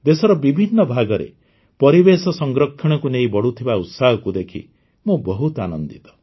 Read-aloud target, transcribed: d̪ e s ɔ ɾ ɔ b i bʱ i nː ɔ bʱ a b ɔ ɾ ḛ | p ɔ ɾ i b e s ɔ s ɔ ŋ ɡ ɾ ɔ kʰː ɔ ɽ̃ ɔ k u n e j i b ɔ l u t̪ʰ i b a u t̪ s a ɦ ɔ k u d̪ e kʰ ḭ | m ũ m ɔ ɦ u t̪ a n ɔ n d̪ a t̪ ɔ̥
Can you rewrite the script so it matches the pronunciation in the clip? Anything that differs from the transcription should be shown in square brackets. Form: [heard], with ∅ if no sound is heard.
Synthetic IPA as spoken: d̪ e s ɔ ɾ ɔ b i bʱ i nː ɔ bʱ a [ɡ] ɔ ɾ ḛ | p ɔ ɾ i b e s ɔ s ɔ ŋ ɡ ɾ ɔ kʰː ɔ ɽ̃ ɔ k u n e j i b ɔ [ɽ] u t̪ʰ i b a u t̪ s a ɦ ɔ k u d̪ e kʰ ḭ | m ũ [b] ɔ ɦ u t̪ a n ɔ n d̪ [i] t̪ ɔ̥